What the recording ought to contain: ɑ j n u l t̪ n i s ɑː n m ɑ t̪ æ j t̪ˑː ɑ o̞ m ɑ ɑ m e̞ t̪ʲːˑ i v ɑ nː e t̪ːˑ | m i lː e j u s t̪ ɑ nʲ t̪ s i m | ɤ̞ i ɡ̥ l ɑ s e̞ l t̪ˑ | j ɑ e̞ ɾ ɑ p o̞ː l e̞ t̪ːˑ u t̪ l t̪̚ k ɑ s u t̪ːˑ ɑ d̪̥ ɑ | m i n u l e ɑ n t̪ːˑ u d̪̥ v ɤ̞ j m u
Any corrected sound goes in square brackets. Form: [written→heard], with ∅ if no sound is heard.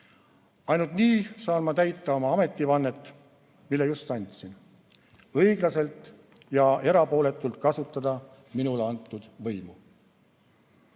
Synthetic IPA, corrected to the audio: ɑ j n u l t̪ n [i→iː] s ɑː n m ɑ t̪ æ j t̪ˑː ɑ o̞ m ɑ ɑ m e̞ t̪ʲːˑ i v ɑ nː e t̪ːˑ | m i lː e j u s t̪ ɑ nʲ t̪ s i [m→n] | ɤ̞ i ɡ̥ l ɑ s e̞ l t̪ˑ | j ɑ e̞ ɾ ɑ p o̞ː l e̞ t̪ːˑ u [t̪→∅] l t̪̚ k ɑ s u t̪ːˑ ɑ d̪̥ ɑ | m i n u l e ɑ n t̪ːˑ u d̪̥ v ɤ̞ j m u